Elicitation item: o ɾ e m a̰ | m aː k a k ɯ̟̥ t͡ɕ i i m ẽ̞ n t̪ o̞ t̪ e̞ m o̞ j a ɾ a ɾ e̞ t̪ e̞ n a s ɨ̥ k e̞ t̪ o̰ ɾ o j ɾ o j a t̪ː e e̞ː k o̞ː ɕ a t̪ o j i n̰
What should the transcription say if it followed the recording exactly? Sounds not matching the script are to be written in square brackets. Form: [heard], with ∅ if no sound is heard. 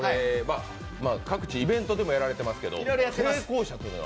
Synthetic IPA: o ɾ e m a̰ | m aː k a k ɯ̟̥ t͡ɕ i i [b] ẽ̞ n t̪ o̞ [d̪] e̞ m o̞ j a ɾ a ɾ e̞ t̪ e̞ [m] a s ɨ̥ k e̞ [d̪] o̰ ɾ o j ɾ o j a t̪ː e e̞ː k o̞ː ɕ a t̪ o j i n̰